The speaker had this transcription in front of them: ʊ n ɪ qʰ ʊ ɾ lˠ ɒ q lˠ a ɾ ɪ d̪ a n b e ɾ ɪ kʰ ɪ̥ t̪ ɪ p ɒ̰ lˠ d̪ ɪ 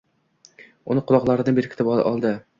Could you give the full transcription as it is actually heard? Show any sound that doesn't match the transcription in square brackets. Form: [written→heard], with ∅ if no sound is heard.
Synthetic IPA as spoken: ʊ n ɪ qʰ ʊ [ɾ→∅] lˠ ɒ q lˠ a ɾ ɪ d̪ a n b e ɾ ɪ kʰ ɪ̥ t̪ ɪ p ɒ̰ lˠ d̪ ɪ